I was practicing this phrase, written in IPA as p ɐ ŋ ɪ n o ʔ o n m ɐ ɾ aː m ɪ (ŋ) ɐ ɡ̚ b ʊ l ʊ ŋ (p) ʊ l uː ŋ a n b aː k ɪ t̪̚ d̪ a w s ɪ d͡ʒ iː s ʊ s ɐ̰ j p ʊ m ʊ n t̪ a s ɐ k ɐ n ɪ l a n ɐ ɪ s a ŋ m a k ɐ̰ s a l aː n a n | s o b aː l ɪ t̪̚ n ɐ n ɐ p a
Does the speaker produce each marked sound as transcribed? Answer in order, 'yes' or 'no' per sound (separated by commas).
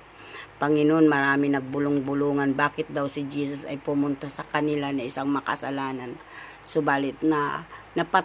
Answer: no, no